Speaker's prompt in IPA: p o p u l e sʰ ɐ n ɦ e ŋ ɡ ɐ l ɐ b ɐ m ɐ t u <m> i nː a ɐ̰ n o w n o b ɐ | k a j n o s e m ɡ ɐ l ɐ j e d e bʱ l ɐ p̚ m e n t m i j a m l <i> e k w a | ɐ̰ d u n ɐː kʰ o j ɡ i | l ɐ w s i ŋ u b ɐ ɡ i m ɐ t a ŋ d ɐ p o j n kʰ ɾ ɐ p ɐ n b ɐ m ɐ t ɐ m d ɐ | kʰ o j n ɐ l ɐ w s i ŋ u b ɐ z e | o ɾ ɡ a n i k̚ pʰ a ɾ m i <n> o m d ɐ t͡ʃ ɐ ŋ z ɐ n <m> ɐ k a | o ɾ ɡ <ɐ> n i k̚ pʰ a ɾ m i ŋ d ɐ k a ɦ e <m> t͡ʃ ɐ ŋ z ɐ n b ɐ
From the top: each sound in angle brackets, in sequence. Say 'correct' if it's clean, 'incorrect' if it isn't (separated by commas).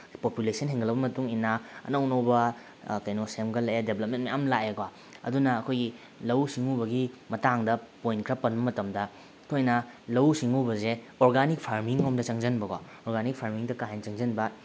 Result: incorrect, incorrect, incorrect, incorrect, incorrect, incorrect